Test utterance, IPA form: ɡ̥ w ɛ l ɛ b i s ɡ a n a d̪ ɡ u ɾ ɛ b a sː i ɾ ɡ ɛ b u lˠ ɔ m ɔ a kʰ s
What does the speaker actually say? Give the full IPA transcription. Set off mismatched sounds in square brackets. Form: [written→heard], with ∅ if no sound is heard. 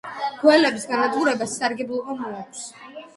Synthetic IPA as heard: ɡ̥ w ɛ l ɛ b i s ɡ a n a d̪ ɡ u ɾ ɛ b a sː [i→a] ɾ ɡ ɛ b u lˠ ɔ m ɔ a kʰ s